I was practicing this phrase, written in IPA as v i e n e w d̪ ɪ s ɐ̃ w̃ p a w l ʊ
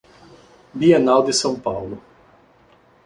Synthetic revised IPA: b i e n a w d̪ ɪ s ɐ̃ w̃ p a w l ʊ